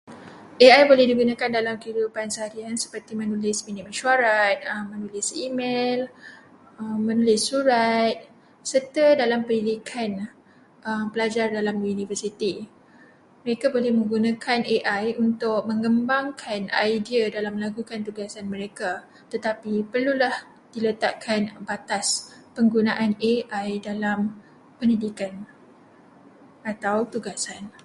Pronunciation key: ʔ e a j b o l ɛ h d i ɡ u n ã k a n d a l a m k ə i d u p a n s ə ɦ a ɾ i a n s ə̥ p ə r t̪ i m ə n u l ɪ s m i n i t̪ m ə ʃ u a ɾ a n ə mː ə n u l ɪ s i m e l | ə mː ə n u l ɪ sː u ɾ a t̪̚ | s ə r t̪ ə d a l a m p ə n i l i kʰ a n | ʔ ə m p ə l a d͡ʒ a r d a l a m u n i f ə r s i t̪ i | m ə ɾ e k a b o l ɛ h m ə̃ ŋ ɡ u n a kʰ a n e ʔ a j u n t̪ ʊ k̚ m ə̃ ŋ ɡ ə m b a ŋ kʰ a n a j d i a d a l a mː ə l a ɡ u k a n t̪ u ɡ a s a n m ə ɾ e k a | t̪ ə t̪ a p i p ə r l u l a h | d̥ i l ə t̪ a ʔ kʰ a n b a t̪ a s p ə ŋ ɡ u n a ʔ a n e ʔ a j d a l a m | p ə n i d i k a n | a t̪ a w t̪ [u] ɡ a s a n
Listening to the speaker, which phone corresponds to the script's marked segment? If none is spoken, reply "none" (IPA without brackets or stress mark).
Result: u